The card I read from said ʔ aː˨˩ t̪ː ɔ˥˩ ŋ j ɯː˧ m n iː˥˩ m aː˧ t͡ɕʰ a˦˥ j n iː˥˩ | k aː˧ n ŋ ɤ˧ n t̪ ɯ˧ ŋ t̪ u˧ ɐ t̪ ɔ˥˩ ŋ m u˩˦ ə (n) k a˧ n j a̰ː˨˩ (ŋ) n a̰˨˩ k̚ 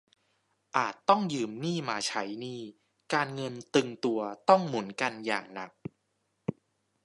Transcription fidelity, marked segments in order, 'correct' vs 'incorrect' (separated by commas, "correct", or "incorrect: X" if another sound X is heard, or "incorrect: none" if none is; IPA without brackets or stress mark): correct, correct